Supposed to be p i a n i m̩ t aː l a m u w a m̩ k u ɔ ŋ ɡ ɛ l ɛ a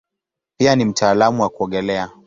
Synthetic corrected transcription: p i a n i m̩ t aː l a m u w a k u ɔ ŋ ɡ ɛ l ɛ a